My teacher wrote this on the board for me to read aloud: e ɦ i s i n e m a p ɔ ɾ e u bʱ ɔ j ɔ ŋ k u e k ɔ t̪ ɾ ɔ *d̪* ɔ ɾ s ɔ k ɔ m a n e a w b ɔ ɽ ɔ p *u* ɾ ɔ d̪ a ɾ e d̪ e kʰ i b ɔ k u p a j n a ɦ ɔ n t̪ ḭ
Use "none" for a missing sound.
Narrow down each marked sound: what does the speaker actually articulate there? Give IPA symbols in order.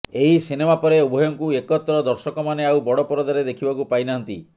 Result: d̪, ɔ

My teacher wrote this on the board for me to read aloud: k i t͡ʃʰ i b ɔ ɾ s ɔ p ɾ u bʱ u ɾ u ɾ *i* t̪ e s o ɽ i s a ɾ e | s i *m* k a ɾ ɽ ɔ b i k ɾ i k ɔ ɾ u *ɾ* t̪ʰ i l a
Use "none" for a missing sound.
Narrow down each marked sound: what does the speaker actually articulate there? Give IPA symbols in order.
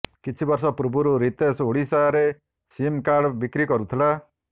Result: i, m, none

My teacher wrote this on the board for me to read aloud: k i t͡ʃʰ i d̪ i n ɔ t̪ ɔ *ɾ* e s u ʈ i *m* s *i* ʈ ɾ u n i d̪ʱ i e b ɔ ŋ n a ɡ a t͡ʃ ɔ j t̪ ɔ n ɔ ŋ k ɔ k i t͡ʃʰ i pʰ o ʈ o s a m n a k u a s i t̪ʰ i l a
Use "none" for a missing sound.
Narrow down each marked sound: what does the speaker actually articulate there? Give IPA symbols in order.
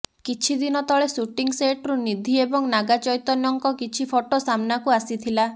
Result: ɭ, ŋ, e

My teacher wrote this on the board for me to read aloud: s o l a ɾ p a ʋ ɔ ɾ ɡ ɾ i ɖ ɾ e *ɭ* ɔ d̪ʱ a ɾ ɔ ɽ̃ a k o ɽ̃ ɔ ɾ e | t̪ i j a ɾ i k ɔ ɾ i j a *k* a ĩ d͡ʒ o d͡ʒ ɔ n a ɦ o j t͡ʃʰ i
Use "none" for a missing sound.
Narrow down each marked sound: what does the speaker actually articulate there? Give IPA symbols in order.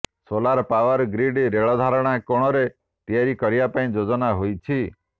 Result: ɭ, p

